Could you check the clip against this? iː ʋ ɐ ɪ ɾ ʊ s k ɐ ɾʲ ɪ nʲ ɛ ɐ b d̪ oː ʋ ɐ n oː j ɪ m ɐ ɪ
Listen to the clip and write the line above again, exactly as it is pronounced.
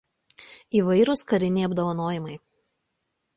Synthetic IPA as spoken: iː ʋ ɐ ɪ ɾ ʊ s k ɐ ɾʲ ɪ nʲ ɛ ɐ b d̪ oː ʋ ɐ n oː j ɪ m ɐ ɪ